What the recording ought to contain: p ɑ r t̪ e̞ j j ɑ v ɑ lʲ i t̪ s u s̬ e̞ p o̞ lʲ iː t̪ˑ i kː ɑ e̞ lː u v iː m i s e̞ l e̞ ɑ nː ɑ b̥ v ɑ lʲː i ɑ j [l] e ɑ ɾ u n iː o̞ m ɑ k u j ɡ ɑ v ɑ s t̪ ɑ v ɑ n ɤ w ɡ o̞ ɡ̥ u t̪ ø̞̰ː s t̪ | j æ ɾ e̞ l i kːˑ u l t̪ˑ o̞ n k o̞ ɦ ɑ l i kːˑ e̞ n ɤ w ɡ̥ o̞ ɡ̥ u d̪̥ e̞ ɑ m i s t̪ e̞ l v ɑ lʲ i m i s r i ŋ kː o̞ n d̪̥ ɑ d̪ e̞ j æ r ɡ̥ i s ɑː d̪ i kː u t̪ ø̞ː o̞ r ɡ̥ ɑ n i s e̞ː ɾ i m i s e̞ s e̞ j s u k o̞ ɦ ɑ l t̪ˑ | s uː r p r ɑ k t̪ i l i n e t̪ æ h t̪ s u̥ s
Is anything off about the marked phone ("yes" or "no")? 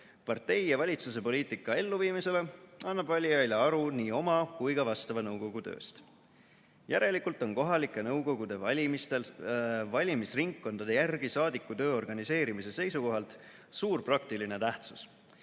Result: no